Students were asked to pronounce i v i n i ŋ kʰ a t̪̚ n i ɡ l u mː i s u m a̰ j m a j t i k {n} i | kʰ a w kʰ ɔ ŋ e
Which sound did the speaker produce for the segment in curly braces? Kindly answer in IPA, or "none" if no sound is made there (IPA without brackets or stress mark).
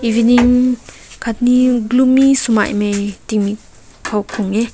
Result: m